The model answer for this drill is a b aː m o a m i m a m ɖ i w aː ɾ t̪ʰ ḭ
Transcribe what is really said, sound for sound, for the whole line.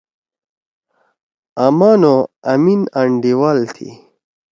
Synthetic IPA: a m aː n o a m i n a ɳ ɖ i w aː l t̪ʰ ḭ